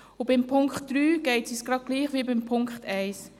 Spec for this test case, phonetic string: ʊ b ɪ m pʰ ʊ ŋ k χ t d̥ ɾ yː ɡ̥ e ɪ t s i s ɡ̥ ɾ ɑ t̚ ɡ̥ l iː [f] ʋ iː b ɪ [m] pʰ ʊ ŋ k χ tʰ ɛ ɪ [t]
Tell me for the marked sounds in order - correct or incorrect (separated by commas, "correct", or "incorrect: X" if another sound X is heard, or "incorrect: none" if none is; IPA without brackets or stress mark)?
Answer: incorrect: χ, correct, incorrect: s